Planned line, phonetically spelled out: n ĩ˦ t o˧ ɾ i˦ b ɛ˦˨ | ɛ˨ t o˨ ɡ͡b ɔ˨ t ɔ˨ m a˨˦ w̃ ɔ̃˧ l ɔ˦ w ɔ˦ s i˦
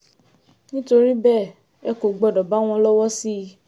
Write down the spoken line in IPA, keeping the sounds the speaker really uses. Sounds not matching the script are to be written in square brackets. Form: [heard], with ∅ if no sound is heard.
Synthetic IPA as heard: n ĩ˦ t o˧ ɾ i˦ b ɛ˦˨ | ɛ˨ [k] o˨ ɡ͡b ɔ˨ [d] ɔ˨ [b] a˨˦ w̃ ɔ̃˧ l ɔ˦ w ɔ˦ s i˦